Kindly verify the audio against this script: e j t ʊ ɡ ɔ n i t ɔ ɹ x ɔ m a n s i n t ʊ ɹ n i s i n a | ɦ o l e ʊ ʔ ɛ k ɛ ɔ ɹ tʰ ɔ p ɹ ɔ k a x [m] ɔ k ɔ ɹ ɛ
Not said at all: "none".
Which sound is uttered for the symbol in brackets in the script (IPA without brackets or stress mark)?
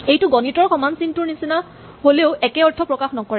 n